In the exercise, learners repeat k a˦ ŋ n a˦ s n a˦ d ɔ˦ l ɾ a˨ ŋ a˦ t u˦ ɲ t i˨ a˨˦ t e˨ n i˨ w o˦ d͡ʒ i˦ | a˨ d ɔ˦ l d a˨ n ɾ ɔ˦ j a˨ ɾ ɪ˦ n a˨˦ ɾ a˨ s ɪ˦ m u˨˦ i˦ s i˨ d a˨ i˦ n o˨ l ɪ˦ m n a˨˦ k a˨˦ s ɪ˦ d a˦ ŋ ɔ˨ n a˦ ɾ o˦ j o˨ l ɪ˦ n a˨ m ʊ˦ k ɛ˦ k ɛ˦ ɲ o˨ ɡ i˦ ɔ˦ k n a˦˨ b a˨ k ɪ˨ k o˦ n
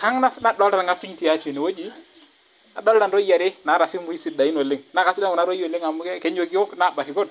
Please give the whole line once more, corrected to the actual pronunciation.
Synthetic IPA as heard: k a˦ ŋ n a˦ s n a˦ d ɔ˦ l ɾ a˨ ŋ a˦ t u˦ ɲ t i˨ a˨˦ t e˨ n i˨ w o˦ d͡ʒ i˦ | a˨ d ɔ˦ l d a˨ n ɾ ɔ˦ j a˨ ɾ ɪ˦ n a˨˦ ɾ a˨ s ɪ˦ m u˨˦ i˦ s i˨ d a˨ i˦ n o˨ l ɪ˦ ŋ n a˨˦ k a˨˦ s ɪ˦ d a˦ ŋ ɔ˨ n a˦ ɾ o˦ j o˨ l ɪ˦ ŋ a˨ m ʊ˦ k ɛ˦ k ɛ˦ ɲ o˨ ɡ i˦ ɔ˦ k n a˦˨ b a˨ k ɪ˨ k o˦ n